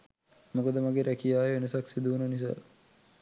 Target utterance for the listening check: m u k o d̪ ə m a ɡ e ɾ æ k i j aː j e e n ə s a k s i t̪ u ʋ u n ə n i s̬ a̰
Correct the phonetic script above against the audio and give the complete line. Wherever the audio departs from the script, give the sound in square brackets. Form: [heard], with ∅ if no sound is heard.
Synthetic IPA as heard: m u k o d̪ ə m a ɡ e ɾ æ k i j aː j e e n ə s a k s i [d̪] u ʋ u n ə n i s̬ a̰